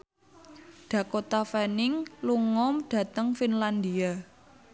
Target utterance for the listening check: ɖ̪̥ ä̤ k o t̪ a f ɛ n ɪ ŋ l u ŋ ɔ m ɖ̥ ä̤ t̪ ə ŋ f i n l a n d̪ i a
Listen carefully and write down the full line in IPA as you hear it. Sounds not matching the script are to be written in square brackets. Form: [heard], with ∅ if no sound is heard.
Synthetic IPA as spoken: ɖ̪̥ ä̤ k o t̪ a f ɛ n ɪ ŋ l u ŋ ɔ m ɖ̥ ä̤ t̪ ə ŋ f i n l a n d̪ i a